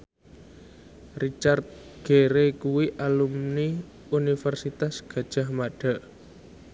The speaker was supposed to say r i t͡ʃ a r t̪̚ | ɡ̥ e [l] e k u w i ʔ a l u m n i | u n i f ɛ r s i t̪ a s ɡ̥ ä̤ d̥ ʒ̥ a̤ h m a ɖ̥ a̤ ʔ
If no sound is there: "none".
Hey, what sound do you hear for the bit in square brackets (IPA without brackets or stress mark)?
ɾ